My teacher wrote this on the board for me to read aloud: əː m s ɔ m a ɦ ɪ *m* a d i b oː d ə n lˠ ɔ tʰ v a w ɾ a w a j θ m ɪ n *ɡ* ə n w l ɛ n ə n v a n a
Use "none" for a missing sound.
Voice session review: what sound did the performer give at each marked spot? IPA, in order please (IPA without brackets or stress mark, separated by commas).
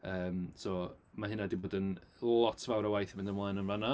n, d